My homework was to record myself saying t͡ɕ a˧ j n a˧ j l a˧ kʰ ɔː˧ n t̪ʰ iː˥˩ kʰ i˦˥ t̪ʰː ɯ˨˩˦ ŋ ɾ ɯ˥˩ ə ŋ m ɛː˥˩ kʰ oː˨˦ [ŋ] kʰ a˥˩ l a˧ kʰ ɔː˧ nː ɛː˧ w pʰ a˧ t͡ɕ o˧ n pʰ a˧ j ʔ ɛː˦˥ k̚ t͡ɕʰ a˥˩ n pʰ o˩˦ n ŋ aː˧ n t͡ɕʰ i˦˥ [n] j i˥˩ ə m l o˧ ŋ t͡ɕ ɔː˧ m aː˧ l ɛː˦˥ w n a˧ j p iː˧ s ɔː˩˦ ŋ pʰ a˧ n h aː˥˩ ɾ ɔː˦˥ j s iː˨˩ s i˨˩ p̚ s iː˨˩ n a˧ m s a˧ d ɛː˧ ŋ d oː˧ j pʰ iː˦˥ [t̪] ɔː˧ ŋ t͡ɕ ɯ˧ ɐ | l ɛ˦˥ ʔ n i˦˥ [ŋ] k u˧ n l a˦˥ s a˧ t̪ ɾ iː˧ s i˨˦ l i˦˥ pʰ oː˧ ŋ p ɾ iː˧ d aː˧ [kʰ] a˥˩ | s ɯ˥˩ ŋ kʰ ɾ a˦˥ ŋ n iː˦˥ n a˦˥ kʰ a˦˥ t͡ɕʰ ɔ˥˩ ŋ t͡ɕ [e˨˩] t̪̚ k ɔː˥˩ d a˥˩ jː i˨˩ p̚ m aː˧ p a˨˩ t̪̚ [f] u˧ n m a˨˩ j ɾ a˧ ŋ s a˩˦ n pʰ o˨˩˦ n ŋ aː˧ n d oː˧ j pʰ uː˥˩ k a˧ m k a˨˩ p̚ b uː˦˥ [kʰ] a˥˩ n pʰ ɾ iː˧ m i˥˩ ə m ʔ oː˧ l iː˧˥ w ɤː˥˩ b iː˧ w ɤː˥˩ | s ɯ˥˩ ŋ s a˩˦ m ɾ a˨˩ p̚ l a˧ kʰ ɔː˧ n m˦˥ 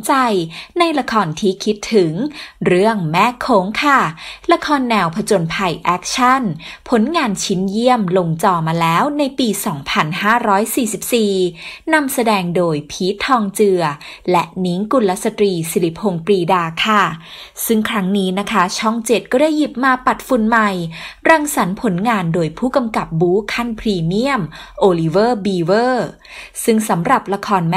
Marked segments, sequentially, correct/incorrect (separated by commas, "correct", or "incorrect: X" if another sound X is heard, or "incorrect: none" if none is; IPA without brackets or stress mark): correct, correct, incorrect: t̪ʰ, correct, correct, correct, correct, correct